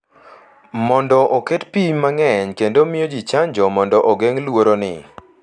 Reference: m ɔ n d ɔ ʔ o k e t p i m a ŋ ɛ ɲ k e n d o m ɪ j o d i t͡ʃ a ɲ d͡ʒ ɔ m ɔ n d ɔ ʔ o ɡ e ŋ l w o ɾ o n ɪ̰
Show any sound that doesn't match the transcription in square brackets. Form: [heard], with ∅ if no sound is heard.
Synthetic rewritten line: m ɔ n d ɔ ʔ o k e t p i m a ŋ ɛ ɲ k e n d o m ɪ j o [d͡ʒ] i t͡ʃ a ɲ d͡ʒ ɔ m ɔ n d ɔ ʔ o ɡ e ŋ l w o ɾ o n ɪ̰

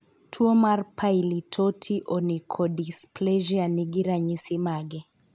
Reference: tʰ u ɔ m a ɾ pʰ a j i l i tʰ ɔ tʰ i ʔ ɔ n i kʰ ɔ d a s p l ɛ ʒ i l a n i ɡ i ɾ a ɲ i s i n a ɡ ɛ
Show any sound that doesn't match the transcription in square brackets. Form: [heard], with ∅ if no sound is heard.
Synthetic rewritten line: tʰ u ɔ m a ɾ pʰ a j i l i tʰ ɔ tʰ i ʔ ɔ n i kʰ ɔ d [i] s p l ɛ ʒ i [∅] a n i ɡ i ɾ a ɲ i s i [m] a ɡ ɛ

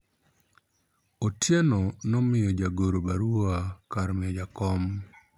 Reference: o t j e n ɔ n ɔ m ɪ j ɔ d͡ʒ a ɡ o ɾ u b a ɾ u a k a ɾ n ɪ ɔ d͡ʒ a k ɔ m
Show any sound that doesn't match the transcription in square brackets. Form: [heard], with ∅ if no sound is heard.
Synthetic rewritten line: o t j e n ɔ n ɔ m ɪ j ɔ d͡ʒ a ɡ o ɾ [o] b a ɾ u a k a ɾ [m] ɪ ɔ d͡ʒ a k ɔ m

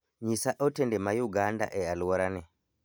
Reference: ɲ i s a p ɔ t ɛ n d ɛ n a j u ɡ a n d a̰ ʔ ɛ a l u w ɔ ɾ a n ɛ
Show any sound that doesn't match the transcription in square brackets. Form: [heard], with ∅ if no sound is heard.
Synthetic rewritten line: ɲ i s a [ʔ] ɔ t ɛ n d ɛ [m] a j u ɡ a n d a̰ ʔ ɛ a l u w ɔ ɾ a n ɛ

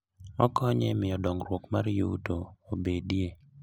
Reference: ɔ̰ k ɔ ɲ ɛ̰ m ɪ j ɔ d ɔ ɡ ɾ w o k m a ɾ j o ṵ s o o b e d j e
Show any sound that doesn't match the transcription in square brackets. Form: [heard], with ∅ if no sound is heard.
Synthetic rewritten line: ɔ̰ k ɔ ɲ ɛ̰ m ɪ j ɔ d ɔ [ŋ] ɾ w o k m a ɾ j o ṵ [t] o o b e d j e

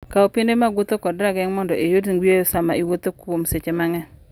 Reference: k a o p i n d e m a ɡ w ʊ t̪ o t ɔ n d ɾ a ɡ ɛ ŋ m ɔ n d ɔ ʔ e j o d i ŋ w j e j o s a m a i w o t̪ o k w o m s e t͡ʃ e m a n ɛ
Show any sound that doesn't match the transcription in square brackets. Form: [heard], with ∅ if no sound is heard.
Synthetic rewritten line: k a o p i n d e m a ɡ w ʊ t̪ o [k] ɔ [∅] d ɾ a ɡ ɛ ŋ m ɔ n d ɔ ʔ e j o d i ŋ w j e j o s a m a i w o t̪ o k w o m s e t͡ʃ e m a [ŋ] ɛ

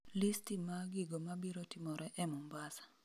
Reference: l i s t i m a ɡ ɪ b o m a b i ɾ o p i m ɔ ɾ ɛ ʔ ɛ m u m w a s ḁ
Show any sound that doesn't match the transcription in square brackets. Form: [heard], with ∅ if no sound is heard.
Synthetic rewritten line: l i s t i m a ɡ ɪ [ɡ] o m a b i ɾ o [t] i m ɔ ɾ ɛ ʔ ɛ m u m [b] a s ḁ

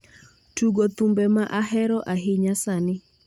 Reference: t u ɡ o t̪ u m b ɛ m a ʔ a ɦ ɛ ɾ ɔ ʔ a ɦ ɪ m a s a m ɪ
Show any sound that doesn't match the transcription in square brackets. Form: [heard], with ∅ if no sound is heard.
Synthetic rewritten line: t u ɡ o t̪ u m b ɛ m a ʔ a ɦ ɛ ɾ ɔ ʔ a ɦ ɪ [ɲ] a s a [n] ɪ

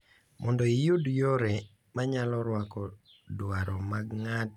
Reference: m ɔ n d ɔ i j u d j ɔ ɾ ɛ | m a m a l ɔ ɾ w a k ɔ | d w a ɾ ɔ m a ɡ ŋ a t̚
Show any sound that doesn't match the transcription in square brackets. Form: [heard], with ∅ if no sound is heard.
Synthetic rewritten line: m ɔ n d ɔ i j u d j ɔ ɾ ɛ | m a [ɲ] a l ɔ ɾ w a k ɔ | d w a ɾ ɔ m a ɡ ŋ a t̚

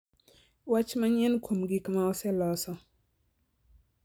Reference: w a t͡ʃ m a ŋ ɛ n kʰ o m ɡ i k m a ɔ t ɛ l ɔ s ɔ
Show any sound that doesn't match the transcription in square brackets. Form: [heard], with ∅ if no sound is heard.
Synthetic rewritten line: w a t͡ʃ m a [ɲ] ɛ n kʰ o m ɡ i k m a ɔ [s] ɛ l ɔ s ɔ

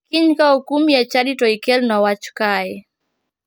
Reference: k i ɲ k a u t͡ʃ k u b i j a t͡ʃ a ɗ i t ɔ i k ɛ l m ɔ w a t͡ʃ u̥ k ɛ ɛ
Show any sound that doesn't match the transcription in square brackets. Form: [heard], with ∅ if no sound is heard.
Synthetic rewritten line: k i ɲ k a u [∅] k u [m] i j a t͡ʃ a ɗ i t ɔ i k ɛ l [n] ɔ w a t͡ʃ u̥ k [a] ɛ

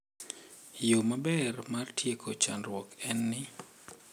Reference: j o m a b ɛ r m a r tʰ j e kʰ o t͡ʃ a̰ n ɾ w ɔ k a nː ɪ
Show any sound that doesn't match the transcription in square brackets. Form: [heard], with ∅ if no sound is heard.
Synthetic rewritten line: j o m a b ɛ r m a r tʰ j e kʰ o t͡ʃ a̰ n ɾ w ɔ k [ɛ] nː ɪ

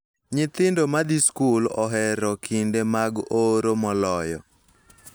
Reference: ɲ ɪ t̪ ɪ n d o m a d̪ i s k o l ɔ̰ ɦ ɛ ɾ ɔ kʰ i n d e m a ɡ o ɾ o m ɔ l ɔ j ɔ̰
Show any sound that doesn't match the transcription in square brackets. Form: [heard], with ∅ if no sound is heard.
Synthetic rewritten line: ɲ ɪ t̪ ɪ n d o m a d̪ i s k [u] l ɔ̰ ɦ ɛ ɾ ɔ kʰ i n d e m a ɡ o ɾ o m ɔ l ɔ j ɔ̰

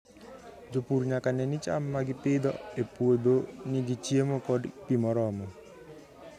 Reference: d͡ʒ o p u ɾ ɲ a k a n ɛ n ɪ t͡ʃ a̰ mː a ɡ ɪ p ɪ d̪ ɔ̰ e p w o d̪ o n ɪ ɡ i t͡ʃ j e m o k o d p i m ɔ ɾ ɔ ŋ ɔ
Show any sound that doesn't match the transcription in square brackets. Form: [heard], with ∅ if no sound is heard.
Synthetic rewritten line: d͡ʒ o p u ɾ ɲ a k a n ɛ n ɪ t͡ʃ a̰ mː a ɡ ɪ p ɪ d̪ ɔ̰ e p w o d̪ o n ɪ ɡ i t͡ʃ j e m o k [ɔ] d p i m ɔ ɾ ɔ [m] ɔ

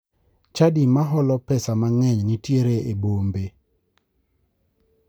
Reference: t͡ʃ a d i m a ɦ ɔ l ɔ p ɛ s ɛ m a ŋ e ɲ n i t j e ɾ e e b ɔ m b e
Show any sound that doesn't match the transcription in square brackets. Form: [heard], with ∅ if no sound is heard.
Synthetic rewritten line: t͡ʃ a d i m a ɦ ɔ l ɔ p ɛ s [a] m a ŋ [ɛ] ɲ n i t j e ɾ e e b [o] m b e

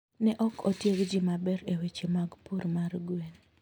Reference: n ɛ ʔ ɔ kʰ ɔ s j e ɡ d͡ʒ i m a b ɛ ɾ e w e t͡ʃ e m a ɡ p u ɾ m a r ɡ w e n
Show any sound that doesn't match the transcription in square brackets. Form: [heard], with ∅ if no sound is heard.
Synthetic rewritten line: n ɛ ʔ ɔ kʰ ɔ [t] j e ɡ d͡ʒ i m a b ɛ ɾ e w e t͡ʃ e m a ɡ p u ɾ m a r ɡ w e n

